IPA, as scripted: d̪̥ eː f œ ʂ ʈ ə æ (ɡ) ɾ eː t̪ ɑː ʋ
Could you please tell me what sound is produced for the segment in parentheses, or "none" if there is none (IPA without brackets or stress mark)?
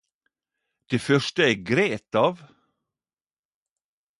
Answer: ɡ